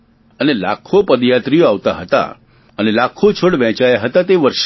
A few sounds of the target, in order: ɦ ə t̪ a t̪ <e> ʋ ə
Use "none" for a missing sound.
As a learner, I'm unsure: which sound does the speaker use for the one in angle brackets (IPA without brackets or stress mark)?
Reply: e